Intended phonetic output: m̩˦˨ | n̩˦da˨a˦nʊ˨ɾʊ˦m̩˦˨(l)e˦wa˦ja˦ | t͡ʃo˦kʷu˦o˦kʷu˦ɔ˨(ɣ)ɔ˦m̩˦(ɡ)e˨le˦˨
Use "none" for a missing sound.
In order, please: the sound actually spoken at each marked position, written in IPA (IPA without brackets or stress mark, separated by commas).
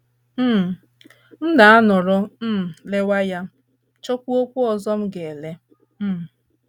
l, z, ɡ